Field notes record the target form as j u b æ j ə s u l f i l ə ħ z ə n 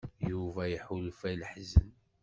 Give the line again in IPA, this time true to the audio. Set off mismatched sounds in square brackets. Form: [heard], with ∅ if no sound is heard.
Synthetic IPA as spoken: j u [v] æ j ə [ħ] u l f [æ] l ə ħ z ə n